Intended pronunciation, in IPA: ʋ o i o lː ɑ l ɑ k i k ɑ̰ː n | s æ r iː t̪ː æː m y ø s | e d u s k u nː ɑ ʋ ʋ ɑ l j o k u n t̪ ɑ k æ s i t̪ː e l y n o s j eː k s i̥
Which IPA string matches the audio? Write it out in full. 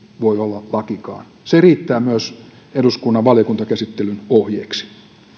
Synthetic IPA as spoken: ʋ o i o lː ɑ l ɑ k i k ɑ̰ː n | s e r iː t̪ː æː m y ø s | e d u s k u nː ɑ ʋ ʋ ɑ l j o k u n t̪ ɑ k æ s i t̪ː e l y n o h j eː k s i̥